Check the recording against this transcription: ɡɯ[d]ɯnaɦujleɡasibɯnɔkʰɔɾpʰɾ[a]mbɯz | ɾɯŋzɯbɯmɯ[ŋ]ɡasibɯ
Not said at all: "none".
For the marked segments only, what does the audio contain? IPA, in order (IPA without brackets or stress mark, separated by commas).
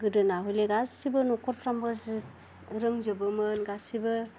d, a, n